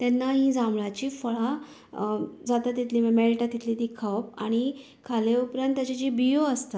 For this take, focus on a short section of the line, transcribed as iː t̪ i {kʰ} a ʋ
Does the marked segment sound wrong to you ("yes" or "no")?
no